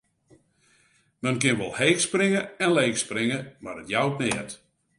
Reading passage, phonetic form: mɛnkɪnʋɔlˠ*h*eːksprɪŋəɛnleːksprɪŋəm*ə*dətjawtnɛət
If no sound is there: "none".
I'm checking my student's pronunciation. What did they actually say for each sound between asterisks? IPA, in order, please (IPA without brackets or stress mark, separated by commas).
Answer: h, a